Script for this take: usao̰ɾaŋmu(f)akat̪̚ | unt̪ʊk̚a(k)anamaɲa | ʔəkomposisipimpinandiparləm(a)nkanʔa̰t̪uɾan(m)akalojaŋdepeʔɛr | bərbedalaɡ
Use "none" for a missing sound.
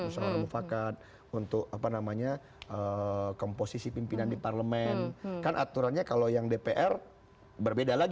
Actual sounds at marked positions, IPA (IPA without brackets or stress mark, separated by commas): f, p, ɛ, ɲ